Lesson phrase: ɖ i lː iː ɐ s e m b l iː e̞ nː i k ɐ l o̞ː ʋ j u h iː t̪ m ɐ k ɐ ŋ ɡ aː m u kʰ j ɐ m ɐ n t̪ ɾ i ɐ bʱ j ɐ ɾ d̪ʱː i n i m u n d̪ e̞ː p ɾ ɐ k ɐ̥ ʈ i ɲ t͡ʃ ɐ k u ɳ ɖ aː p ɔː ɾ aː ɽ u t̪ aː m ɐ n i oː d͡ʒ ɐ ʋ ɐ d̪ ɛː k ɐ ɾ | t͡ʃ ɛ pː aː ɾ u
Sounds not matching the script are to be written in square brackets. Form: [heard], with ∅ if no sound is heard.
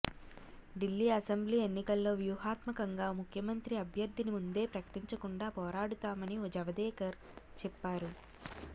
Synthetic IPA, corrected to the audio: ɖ i lː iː ɐ s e m b l iː e̞ nː i k ɐ [lː] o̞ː ʋ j u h [aː] t̪ m ɐ k ɐ ŋ ɡ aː m u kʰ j ɐ m ɐ n t̪ ɾ i ɐ bʱ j ɐ ɾ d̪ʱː i n i m u n d̪ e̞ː p ɾ ɐ k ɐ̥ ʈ i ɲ t͡ʃ ɐ k u ɳ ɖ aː p ɔː ɾ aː ɽ u t̪ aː m ɐ n i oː d͡ʒ ɐ ʋ ɐ d̪ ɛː k ɐ ɾ | t͡ʃ ɛ pː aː ɾ u